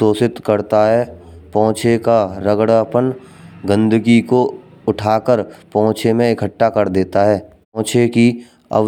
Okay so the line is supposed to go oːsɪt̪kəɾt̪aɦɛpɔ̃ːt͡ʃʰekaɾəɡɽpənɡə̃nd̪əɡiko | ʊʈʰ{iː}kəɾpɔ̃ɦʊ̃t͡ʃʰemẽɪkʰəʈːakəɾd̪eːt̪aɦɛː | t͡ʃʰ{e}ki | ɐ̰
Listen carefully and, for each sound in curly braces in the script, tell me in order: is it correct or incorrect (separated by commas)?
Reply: incorrect, correct